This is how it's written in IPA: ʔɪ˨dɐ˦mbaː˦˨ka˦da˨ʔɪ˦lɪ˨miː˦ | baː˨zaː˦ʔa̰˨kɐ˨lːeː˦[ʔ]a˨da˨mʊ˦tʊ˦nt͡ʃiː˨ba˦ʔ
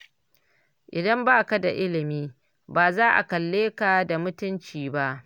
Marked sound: incorrect: k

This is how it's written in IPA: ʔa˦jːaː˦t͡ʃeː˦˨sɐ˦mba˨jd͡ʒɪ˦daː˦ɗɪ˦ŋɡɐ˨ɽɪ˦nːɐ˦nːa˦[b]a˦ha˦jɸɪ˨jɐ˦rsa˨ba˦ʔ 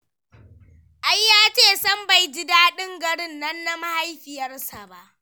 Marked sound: incorrect: m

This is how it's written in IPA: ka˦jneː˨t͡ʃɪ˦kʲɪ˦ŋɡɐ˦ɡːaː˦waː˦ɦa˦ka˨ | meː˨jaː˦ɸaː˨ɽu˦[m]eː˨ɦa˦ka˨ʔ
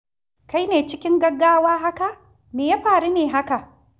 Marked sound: incorrect: n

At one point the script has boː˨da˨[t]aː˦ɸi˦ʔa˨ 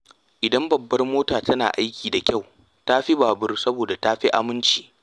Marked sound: correct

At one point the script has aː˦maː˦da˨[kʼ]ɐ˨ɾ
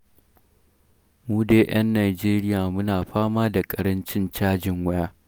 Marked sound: correct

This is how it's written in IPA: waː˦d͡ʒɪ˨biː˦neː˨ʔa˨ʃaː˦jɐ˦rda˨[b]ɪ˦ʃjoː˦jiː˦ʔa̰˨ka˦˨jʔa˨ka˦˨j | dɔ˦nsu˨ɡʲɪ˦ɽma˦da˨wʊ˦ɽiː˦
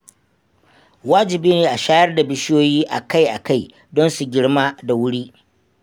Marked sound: correct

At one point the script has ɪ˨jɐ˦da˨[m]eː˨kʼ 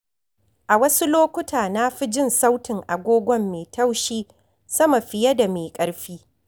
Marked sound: correct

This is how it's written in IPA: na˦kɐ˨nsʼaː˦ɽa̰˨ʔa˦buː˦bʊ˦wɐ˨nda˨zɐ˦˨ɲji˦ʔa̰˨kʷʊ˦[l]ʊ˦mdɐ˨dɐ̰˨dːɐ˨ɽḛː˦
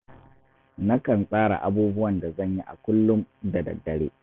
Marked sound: incorrect: lː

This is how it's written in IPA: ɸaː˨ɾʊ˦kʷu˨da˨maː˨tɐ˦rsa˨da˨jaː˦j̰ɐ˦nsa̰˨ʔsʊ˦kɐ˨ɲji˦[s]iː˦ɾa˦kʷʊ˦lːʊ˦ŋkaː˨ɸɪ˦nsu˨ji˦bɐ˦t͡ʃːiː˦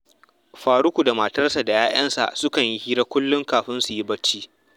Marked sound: incorrect: h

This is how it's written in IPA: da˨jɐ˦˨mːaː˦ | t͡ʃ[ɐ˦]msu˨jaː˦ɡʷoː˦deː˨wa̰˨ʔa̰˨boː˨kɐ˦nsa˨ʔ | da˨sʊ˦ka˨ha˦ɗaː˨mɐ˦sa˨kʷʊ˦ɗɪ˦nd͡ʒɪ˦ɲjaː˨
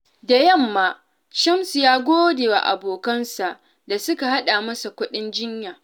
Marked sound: correct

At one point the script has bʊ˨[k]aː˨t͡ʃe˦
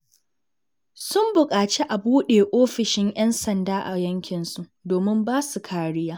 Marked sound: incorrect: kʼ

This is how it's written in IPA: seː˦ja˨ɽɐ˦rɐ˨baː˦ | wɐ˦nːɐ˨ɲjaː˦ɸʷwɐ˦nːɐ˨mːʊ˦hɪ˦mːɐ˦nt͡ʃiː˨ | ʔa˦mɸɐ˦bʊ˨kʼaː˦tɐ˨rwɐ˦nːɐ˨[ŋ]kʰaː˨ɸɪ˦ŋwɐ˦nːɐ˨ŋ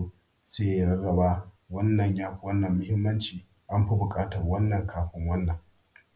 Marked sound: correct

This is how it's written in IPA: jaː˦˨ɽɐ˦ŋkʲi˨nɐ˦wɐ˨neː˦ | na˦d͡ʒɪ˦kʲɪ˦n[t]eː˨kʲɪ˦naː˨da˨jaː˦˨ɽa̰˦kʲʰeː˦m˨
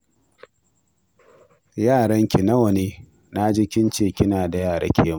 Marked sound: incorrect: t͡ʃ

